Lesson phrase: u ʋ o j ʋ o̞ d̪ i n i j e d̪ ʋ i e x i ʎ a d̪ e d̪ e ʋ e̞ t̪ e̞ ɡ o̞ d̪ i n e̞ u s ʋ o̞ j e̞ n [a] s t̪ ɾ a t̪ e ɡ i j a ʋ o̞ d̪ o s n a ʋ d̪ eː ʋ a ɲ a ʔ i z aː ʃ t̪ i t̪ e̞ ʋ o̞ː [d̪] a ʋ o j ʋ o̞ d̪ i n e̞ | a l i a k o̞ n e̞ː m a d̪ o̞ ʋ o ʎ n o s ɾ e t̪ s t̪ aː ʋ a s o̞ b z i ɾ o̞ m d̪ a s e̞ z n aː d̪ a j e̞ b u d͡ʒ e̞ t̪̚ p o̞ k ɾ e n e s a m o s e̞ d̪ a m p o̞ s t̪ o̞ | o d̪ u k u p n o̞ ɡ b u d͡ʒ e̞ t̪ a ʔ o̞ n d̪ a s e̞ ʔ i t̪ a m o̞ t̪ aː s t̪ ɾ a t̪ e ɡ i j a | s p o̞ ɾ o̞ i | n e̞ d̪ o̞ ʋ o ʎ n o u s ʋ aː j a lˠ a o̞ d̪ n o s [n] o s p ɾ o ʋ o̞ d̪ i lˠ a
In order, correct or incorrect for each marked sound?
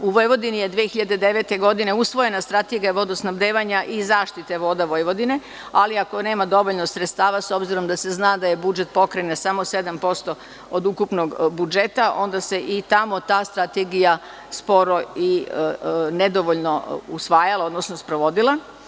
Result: correct, correct, correct

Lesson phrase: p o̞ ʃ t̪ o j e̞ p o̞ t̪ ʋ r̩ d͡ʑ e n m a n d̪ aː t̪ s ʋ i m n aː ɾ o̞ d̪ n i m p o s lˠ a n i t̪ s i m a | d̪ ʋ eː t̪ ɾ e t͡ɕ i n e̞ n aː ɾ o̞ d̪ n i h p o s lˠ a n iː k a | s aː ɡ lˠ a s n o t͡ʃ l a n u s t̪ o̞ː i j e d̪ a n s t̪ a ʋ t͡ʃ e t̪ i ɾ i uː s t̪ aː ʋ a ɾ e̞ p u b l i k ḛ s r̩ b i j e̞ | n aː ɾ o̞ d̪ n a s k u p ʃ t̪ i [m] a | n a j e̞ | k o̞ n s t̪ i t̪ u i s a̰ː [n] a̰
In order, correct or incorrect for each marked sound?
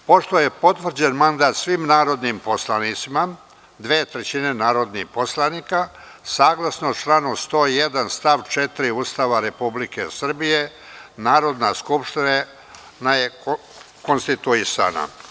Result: incorrect: n, correct

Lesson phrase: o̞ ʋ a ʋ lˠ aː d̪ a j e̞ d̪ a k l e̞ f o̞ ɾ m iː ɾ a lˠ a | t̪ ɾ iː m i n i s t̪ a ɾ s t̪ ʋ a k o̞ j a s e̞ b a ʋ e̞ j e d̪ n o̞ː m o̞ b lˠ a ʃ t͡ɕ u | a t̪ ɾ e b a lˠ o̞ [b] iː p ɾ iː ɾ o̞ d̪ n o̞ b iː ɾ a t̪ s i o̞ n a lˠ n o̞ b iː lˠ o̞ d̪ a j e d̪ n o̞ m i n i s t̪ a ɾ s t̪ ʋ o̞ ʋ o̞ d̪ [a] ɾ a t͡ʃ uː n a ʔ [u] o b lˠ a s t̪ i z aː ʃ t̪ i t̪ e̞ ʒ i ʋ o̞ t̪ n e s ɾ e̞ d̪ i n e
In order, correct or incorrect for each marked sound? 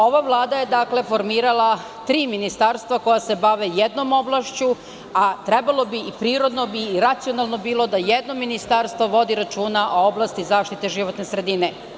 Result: correct, incorrect: i, incorrect: o

